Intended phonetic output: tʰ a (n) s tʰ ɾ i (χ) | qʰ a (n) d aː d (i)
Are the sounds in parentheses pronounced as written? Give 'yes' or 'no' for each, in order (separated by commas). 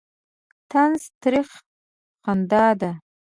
yes, yes, yes, no